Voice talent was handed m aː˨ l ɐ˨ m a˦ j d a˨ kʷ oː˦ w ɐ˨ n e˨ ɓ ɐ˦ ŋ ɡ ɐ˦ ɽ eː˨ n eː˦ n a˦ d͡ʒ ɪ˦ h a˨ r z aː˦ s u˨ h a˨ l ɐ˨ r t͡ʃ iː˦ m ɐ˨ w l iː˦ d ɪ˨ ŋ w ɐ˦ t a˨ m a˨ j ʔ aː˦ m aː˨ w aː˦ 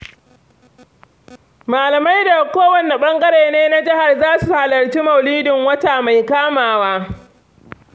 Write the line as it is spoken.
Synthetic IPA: m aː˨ l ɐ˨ m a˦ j d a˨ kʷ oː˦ w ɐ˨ n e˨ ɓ ɐ˦ ŋ ɡ ɐ˦ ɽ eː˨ n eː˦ n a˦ d͡ʒ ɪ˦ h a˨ r z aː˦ s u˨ h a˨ l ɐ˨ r t͡ʃ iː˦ m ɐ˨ w l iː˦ d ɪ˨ ŋ w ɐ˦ t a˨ m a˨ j k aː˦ m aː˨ w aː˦